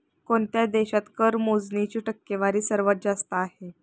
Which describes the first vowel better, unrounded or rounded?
rounded